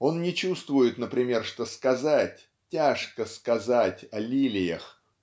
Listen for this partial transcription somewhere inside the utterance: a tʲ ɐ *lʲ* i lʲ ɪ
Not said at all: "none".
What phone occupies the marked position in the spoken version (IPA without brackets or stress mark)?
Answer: lʲ